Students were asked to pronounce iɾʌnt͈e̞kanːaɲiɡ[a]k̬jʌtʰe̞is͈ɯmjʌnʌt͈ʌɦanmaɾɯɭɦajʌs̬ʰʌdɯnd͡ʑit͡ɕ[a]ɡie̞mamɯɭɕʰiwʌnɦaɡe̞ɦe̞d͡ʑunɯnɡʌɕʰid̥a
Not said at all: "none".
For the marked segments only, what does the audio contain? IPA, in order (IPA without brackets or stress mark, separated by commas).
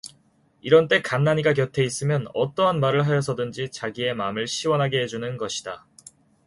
a, a